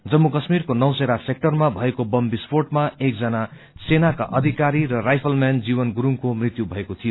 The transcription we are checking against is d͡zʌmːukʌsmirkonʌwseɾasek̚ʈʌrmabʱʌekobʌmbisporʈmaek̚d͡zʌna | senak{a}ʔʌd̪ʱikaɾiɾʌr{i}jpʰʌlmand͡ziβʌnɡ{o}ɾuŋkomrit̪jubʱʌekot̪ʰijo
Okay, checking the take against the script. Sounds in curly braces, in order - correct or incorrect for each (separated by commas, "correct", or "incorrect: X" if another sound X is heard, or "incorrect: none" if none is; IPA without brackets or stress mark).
correct, incorrect: a, incorrect: u